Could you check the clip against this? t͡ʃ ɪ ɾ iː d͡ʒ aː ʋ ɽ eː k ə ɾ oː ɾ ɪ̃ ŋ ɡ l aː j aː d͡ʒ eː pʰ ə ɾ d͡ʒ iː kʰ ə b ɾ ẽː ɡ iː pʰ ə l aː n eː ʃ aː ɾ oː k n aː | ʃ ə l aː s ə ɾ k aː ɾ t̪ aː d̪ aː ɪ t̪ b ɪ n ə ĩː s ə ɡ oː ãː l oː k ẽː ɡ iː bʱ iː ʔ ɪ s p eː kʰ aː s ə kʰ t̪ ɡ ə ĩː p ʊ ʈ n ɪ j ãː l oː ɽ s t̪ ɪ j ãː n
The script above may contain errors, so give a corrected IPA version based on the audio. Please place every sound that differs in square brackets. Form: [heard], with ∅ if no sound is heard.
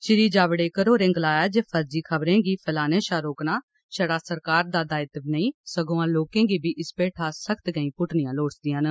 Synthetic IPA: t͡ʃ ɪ ɾ iː d͡ʒ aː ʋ ɽ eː k ə ɾ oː ɾ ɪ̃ ŋ ɡ l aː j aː d͡ʒ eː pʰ ə ɾ d͡ʒ iː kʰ ə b ɾ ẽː ɡ iː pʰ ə l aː n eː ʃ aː ɾ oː k n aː | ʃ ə [ɽ] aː s ə ɾ k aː ɾ [d̪] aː d̪ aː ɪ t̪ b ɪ n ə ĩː s ə ɡ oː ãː l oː k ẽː ɡ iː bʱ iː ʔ ɪ s p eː [ʈʰ] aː s ə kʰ t̪ ɡ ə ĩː p ʊ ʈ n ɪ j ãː l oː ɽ s [d̪] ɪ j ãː n